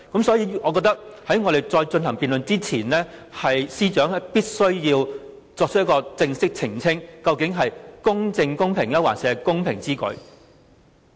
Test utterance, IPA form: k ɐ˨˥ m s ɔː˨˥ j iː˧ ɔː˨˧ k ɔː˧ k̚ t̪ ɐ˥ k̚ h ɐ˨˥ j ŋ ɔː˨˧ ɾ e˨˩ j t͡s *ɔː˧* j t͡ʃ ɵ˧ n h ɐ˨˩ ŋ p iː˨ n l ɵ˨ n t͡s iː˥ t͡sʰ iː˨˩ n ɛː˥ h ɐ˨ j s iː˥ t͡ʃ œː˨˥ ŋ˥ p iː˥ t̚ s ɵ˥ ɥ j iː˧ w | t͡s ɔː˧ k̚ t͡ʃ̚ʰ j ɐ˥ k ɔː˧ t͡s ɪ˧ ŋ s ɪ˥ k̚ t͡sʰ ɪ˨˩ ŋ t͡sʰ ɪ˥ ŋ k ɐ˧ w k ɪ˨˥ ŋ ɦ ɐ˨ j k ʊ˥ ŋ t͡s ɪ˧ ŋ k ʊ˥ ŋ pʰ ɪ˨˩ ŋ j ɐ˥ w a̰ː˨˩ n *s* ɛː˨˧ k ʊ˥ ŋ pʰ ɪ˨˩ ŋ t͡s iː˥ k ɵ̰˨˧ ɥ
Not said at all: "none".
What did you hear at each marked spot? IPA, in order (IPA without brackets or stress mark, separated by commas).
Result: ɔː˧, s